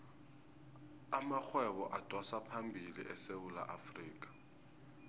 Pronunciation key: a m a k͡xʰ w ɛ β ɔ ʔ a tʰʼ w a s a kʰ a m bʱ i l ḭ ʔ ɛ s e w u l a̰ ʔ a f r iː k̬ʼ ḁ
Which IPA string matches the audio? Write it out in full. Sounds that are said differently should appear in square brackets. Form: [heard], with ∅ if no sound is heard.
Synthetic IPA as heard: a m a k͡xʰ w ɛ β ɔ ʔ a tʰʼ w a s a [pʰ] a m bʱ i l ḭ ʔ ɛ s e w u l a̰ ʔ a f r iː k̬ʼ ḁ